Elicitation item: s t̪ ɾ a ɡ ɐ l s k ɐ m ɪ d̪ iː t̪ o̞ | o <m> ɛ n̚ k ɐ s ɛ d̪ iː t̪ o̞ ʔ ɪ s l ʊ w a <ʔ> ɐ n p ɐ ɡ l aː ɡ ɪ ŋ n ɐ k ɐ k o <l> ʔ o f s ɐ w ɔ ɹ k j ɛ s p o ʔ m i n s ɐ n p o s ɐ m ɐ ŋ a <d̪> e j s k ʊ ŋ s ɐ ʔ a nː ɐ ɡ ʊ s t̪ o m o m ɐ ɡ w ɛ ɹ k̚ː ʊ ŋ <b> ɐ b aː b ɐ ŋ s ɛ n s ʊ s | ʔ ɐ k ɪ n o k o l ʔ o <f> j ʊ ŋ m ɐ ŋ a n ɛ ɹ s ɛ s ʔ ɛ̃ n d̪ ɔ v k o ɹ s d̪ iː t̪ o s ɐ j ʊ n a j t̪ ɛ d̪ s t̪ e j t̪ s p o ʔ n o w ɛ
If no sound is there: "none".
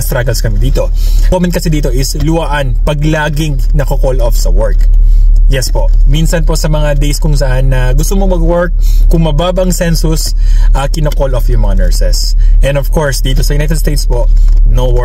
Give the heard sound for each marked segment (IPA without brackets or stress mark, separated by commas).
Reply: m, ʔ, l, d̪, m, f